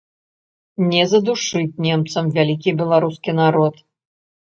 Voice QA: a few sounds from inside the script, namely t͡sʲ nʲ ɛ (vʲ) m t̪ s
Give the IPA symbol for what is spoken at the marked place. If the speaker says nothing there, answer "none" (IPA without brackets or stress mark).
none